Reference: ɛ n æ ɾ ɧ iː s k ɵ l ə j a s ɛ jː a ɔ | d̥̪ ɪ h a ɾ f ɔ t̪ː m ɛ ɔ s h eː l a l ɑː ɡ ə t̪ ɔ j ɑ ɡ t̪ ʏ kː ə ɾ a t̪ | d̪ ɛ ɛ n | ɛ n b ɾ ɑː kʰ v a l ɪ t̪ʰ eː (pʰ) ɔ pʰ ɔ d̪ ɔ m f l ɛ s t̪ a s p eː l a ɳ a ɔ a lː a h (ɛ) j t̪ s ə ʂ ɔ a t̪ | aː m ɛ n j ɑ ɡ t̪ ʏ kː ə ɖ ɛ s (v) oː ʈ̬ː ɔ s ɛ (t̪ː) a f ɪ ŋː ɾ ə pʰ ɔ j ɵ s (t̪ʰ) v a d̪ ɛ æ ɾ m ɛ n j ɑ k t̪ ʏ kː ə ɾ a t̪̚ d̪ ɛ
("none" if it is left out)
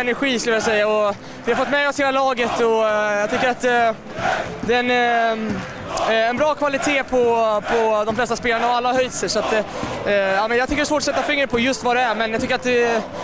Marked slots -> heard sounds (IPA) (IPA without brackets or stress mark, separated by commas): pʰ, œ, v, t̪ː, t̪